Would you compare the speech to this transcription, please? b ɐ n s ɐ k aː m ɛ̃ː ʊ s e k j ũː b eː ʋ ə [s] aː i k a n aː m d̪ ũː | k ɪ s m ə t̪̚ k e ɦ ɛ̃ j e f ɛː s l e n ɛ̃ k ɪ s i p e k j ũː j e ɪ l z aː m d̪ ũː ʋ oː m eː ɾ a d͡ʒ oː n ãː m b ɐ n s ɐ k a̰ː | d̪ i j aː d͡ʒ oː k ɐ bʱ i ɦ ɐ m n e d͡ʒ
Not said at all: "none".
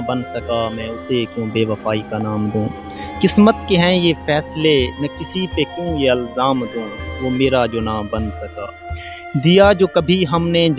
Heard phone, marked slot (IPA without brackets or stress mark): f